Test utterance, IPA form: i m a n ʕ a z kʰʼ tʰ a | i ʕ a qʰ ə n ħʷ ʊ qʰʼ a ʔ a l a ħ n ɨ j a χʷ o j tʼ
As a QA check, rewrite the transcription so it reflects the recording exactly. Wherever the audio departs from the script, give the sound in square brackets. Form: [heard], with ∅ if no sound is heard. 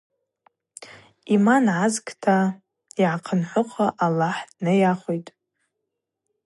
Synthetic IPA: i m a n ʕ a z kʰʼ tʰ a | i ʕ a qʰ ə n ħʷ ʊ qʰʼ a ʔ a l a ħ n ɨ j a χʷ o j tʼ